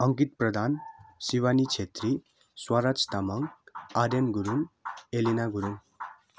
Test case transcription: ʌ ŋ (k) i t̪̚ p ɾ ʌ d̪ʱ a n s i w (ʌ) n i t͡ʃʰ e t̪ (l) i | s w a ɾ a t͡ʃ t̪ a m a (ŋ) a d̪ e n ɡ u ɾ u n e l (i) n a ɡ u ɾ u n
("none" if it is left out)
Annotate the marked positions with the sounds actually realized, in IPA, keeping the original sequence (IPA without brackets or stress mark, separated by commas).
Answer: k, a, ɾ, ŋ, i